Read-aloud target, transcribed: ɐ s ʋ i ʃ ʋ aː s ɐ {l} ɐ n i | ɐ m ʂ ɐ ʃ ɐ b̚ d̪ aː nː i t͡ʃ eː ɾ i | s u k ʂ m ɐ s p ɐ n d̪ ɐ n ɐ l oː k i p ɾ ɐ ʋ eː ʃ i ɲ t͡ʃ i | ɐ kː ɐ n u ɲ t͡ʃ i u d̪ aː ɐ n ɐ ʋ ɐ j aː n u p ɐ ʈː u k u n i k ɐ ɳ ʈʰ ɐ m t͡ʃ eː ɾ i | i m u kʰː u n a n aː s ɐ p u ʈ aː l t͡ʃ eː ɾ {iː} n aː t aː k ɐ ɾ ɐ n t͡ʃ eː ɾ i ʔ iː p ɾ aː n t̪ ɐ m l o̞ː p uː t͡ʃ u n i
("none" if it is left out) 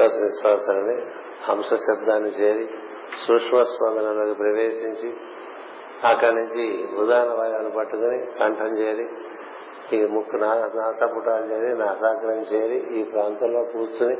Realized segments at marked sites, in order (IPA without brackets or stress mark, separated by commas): l, i